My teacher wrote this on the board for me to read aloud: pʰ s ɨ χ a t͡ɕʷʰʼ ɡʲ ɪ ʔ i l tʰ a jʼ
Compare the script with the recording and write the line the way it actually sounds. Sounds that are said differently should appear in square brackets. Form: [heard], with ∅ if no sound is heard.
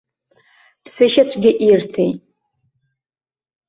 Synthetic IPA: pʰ s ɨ [ʃ] a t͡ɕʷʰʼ ɡʲ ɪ ʔ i [r] tʰ [e] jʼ